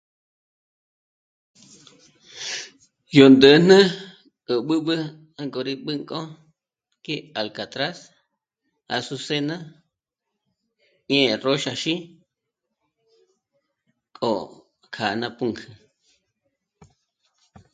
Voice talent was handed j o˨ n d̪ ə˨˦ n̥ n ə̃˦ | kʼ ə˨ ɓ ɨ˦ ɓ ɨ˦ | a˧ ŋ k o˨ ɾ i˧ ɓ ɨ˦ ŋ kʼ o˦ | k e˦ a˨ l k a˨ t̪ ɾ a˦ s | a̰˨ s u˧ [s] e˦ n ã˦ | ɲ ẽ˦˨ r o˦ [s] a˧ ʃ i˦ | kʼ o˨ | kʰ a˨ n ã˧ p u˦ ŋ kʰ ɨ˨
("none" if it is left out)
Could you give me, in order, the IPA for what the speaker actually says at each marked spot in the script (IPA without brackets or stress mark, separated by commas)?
s, ʃ